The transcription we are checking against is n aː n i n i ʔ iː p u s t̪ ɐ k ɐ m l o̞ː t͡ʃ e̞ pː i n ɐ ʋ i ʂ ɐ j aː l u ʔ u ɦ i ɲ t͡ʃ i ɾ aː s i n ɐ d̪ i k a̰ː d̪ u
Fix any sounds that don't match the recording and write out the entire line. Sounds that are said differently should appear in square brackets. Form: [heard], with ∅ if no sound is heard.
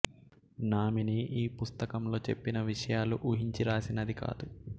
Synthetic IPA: n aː [m] i n i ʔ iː p u s t̪ ɐ k ɐ m l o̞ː t͡ʃ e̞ pː i n ɐ ʋ i ʂ ɐ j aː l u ʔ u ɦ i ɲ t͡ʃ i ɾ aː s i n ɐ d̪ i k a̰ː d̪ u